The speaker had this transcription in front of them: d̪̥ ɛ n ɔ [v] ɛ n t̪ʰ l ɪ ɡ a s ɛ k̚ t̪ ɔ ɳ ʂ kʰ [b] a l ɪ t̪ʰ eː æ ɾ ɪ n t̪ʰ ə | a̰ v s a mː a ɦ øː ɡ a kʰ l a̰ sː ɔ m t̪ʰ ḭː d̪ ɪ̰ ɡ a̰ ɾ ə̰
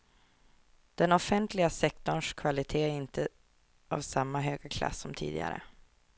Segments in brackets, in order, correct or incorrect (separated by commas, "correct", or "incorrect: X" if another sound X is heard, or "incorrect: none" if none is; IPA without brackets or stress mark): incorrect: f, incorrect: v